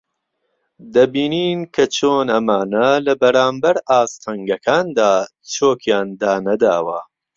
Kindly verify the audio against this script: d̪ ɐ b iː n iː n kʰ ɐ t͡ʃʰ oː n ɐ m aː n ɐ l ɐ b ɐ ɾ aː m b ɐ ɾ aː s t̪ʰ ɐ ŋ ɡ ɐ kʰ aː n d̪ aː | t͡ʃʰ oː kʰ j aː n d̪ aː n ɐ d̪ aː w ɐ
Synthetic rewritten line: d̪ ɐ b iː n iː n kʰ ɐ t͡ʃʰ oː n ɐ m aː n ɐ l ɐ b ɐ ɾ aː m b ɐ ɾ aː s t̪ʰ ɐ ŋ ɡ ɐ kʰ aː n d̪ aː | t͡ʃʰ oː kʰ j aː n d̪ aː n ɐ d̪ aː w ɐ